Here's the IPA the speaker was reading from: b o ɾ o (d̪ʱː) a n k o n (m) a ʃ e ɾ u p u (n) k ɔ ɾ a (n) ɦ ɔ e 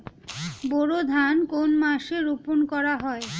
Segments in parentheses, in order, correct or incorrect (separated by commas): incorrect, correct, correct, incorrect